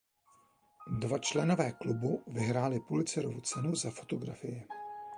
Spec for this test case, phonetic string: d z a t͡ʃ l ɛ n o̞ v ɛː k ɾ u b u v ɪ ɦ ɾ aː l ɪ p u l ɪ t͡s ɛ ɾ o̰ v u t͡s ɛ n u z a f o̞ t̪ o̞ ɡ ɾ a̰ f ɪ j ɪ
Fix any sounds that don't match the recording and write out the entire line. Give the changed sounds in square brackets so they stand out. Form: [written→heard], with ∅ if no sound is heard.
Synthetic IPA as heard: d [z→v] a t͡ʃ l ɛ n o̞ v ɛː k [ɾ→l] u b u v ɪ ɦ ɾ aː l ɪ p u l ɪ t͡s ɛ ɾ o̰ v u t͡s ɛ n u z a f o̞ t̪ o̞ ɡ ɾ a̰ f ɪ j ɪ